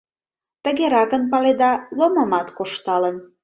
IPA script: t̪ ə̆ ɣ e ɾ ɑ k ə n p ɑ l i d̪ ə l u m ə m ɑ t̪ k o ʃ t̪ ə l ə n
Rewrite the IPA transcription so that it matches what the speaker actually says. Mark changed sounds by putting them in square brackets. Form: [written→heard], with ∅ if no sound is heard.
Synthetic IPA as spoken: t̪ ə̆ ɣ e ɾ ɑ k ə n p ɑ l [i→e] d̪ [ə→ɑ] l [u→o] m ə m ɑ t̪ k o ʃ t̪ [ə→ɑ] l ə n